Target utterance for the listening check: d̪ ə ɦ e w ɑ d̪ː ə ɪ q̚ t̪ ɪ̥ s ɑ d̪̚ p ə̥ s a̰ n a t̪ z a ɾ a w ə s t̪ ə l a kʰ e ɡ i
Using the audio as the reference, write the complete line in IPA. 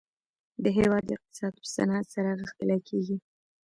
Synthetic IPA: d̪ ə ɦ e w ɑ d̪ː ə ɪ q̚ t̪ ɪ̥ s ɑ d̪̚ p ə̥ s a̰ n a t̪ s a ɾ a ɣ ə x t̪ ə l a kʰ e ɡ i